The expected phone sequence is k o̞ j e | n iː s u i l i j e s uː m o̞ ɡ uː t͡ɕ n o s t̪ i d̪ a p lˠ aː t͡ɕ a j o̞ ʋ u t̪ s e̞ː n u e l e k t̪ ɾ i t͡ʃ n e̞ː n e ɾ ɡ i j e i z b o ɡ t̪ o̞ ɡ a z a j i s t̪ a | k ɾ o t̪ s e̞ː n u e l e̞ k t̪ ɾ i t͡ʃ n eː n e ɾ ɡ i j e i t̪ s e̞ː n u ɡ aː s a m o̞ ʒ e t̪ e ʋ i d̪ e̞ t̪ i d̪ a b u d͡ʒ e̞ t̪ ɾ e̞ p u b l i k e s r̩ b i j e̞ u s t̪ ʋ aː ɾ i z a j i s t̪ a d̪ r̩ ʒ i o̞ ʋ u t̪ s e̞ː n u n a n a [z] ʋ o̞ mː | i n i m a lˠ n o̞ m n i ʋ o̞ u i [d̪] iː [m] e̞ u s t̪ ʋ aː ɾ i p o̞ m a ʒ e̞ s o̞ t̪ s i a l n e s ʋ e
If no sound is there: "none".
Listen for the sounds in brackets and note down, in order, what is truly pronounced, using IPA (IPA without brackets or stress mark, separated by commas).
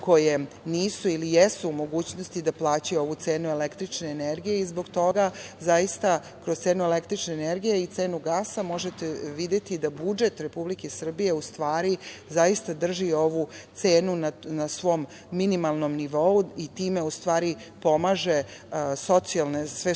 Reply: s, t̪, m